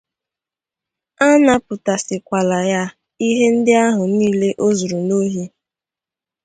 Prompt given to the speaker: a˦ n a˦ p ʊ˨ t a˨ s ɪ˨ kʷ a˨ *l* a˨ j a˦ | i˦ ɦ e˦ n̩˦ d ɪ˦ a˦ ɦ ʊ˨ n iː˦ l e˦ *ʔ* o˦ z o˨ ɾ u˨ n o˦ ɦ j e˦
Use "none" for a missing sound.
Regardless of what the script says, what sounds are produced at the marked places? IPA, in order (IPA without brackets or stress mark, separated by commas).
l, ʔ